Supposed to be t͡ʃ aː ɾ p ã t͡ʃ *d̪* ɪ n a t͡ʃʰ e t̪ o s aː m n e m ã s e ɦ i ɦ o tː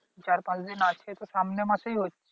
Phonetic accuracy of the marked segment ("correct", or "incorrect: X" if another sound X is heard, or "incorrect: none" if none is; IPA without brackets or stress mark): correct